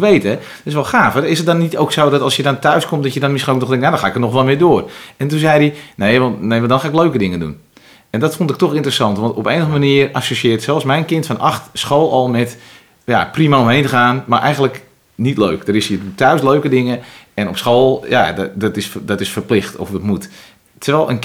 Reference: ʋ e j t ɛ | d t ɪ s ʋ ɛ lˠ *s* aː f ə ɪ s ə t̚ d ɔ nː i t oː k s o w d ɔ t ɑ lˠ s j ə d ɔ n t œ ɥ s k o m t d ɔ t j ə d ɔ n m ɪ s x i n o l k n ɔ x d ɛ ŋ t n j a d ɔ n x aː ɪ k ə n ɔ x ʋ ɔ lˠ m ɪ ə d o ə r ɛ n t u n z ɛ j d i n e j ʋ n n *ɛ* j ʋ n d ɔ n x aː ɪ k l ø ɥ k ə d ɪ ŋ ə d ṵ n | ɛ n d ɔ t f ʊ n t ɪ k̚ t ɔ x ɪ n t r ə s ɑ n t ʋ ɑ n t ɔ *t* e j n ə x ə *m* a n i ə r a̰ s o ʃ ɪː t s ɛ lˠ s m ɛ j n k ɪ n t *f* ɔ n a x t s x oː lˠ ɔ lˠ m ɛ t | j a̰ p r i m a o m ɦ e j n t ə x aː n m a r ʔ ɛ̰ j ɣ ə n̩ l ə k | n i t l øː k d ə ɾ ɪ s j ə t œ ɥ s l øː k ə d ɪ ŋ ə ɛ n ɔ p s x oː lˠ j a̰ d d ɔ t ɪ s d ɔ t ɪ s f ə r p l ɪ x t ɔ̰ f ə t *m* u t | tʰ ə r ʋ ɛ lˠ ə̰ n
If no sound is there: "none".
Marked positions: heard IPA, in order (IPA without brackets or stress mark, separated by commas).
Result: x, e, p, m, f, m